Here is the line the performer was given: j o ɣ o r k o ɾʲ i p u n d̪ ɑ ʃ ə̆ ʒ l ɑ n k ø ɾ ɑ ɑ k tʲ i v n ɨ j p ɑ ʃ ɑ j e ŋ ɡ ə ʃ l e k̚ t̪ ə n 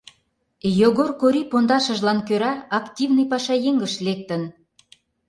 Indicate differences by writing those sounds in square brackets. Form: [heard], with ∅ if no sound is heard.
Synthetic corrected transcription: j o ɣ o r k o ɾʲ i p [o] n d̪ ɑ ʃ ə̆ ʒ l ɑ n k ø ɾ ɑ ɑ k tʲ i v n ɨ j p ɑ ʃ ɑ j e ŋ ɡ ə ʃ l e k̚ t̪ ə n